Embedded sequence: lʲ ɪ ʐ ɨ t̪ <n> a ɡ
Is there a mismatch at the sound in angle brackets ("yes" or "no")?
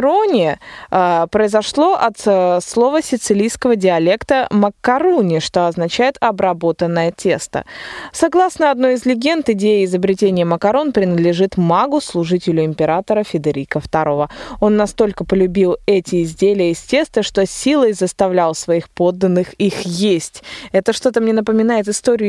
yes